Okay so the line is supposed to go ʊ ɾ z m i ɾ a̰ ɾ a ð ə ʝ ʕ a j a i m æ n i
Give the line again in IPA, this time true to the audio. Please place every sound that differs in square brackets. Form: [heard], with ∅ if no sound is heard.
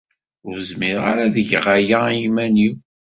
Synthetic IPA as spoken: ʊ ɾ z m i ɾ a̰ ɾ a ð ə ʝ [ʁ] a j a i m æ n i